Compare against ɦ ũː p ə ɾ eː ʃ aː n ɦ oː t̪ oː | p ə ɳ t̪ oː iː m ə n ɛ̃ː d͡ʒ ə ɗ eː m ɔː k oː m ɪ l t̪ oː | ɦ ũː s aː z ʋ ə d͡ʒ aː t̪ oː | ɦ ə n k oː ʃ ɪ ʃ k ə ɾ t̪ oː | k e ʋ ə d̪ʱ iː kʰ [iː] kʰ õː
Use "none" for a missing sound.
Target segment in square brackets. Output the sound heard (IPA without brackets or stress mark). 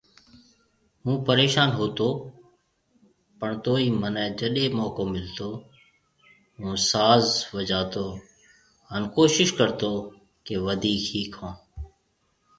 iː